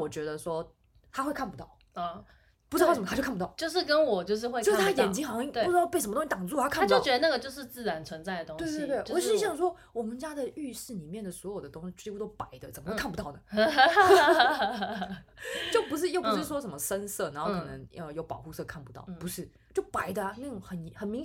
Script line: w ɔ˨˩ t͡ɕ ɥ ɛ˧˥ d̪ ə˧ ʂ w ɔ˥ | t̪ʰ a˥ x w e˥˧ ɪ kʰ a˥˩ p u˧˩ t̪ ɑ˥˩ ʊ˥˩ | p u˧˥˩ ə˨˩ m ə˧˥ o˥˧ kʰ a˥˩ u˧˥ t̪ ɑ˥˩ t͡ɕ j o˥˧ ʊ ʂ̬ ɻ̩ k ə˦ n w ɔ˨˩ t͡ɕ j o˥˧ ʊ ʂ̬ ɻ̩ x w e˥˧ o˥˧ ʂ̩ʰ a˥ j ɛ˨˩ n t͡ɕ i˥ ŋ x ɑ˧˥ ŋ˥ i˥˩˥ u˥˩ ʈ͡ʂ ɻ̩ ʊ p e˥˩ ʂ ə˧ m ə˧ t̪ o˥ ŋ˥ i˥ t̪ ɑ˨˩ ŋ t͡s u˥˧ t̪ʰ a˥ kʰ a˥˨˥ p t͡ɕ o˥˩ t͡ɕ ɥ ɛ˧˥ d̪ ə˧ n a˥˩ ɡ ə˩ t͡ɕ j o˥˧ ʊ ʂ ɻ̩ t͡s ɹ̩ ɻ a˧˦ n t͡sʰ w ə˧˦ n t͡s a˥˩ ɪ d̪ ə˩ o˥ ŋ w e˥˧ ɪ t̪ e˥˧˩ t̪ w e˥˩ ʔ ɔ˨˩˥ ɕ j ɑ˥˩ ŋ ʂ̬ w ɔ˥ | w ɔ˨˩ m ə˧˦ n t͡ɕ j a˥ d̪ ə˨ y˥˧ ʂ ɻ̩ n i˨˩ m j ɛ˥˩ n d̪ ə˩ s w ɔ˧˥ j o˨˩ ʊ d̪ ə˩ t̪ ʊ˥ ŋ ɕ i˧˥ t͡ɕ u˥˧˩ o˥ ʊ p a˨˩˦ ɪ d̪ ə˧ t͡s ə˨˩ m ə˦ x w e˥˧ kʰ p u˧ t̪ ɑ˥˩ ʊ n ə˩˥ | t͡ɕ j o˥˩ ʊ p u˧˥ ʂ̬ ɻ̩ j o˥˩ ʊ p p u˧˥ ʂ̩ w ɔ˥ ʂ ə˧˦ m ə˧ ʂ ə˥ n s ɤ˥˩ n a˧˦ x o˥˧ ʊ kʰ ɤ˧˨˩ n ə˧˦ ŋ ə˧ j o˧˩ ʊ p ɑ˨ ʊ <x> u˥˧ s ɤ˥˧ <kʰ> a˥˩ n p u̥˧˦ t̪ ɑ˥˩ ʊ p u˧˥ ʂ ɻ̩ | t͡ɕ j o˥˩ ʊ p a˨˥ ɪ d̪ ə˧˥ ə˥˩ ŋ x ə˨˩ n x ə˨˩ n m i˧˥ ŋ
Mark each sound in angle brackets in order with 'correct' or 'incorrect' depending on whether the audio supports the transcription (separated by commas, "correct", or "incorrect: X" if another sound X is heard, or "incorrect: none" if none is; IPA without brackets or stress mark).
correct, correct